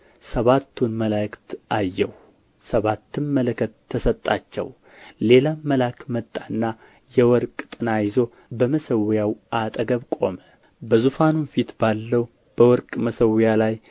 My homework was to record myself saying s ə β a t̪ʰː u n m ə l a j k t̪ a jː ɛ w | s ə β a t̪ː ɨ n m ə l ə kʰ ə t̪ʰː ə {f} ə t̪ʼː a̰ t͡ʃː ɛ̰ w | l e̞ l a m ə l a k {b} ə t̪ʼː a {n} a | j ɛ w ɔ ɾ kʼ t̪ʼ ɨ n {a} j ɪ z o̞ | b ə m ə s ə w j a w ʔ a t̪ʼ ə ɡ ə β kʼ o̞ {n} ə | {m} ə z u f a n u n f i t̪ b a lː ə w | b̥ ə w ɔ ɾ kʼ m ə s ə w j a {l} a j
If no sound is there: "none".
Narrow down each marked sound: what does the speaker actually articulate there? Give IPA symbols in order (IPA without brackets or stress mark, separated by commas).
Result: s, m, nː, a, m, b, l